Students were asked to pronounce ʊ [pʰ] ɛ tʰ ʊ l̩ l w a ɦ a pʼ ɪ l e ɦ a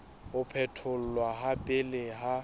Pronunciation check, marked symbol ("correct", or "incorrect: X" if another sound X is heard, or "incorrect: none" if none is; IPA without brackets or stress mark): correct